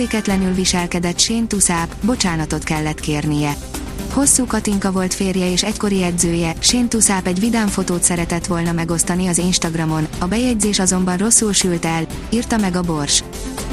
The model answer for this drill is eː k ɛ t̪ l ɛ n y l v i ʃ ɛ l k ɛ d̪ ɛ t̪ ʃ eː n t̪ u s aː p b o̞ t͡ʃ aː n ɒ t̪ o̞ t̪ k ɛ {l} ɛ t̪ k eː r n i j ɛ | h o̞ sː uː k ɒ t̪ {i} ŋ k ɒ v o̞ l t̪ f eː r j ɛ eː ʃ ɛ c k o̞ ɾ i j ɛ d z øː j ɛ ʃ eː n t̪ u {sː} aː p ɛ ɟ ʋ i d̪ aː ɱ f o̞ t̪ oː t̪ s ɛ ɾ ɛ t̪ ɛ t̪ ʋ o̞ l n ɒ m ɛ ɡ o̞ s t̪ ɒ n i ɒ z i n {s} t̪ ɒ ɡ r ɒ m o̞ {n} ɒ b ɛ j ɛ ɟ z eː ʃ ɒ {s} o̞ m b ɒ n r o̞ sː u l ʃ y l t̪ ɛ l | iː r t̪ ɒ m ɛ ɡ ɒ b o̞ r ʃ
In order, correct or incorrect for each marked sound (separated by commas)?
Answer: incorrect, correct, incorrect, incorrect, correct, incorrect